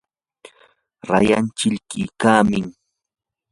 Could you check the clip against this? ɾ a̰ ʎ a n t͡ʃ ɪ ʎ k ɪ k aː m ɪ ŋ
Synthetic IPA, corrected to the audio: ɾ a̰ j a n t͡ʃ ɪ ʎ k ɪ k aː m ɪ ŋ